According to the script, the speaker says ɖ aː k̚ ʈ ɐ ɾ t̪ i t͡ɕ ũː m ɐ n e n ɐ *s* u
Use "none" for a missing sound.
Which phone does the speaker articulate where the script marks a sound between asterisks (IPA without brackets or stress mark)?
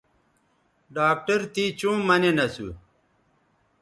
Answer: s